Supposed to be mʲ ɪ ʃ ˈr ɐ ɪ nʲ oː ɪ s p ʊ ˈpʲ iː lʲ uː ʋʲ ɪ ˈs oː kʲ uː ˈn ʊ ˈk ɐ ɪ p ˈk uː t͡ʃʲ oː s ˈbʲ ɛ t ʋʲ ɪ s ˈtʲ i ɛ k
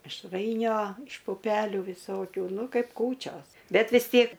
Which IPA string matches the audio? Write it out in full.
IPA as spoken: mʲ ɪ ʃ ˈr ɐ ɪ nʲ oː ɪ ʃ p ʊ ˈpʲ æː lʲ uː ʋʲ ɪ ˈs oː kʲ uː ˈn ʊ ˈk ɐ ɪ p ˈk uː t͡ʃʲ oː s ˈbʲ ɛ t ʋʲ ɪ s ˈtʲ i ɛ k